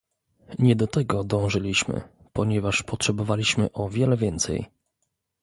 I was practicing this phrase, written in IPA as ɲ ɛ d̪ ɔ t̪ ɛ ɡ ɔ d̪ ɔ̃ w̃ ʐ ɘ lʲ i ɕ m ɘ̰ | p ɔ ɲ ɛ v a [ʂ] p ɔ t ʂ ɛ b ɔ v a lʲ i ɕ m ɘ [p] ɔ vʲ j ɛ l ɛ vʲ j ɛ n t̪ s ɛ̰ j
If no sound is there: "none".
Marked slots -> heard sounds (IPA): ʂ, ʔ

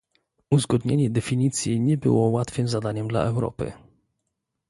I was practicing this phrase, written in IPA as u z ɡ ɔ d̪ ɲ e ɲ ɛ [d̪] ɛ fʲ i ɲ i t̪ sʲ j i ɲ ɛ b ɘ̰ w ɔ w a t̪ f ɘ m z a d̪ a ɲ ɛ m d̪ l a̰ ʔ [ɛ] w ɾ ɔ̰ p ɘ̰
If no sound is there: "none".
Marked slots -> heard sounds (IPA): d̪, ɛ

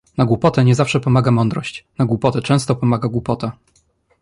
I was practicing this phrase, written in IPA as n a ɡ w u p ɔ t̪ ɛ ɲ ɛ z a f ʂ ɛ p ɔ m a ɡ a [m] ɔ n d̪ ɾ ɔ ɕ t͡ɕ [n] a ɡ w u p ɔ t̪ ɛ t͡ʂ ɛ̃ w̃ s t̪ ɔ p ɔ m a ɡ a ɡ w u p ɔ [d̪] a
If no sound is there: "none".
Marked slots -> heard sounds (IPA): m, n, t̪

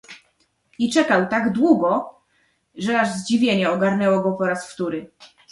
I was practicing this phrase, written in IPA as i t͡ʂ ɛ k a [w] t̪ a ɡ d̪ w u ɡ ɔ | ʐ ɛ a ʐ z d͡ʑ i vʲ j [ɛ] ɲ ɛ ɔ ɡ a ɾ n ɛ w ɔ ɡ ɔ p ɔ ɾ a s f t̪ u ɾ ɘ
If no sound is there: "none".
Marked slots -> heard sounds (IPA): w, e

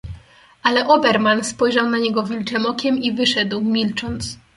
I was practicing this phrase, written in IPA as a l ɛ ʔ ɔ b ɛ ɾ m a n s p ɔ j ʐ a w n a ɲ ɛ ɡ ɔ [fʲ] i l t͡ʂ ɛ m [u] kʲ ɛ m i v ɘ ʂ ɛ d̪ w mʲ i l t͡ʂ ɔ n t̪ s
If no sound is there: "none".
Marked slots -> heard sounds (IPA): vʲ, ɔ

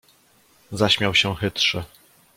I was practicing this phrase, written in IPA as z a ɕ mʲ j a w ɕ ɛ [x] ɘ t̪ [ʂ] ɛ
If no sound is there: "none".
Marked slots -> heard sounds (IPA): x, ʂ

